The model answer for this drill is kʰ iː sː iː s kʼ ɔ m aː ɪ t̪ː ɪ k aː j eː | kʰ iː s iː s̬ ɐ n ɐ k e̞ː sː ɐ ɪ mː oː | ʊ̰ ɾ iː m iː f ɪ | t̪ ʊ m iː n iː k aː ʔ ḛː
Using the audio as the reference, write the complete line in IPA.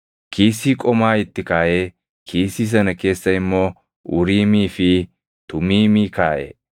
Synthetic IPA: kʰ iː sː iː kʼ ɔ m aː ɪ t̪ː ɪ k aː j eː | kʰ iː s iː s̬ ɐ n ɐ k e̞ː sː ɐ ɪ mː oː | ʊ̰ ɾ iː m iː f ɪ | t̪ ʊ m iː m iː k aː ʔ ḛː